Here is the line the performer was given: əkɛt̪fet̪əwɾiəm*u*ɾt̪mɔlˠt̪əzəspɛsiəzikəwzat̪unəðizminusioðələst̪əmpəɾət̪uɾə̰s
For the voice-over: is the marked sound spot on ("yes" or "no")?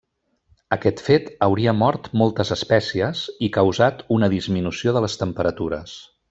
no